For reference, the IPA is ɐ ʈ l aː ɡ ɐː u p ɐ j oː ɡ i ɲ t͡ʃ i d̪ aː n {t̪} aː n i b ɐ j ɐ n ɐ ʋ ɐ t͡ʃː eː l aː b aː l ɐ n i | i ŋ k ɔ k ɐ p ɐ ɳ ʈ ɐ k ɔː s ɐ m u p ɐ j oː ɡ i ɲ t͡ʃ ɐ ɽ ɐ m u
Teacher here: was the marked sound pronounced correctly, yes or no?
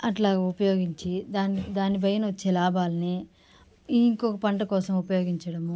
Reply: no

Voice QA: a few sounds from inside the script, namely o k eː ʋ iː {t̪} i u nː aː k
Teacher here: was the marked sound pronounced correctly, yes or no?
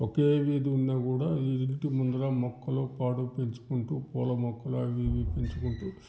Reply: no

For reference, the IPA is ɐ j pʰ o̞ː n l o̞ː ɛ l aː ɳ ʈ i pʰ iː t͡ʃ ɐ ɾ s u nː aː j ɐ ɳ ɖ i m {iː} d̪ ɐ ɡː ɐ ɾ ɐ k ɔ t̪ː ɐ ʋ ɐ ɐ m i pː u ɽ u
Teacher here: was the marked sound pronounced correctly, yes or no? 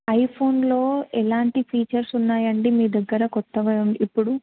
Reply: yes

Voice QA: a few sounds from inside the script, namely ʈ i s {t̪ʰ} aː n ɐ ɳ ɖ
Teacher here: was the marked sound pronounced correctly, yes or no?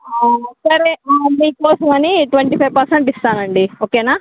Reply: no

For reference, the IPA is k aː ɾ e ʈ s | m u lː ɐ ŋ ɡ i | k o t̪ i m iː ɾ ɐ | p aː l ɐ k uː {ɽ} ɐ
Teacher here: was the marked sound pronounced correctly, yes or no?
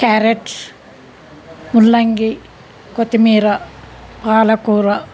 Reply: no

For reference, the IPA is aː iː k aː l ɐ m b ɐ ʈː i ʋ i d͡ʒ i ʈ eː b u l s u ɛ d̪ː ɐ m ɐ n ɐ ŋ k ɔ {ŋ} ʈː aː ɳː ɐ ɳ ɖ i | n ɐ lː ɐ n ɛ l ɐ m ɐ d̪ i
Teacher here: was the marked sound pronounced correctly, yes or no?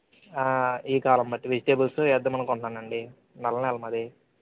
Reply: no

